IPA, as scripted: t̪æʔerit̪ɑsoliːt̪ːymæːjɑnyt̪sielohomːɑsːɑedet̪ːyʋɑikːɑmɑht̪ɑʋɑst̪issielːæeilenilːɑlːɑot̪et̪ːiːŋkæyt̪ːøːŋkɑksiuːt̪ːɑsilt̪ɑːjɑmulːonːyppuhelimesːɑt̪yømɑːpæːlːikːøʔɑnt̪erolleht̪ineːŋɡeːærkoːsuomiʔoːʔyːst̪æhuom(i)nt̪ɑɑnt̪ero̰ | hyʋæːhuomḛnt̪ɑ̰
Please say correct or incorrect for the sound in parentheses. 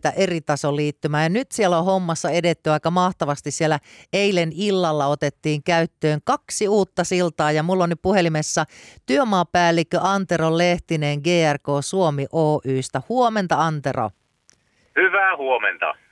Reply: incorrect